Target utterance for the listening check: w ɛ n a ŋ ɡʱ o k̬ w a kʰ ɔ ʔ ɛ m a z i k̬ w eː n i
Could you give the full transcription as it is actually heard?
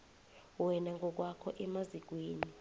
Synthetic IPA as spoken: w ɛ n a ŋ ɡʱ ɔ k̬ w a kʰ ɔ ʔ ɛ m a z i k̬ w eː n i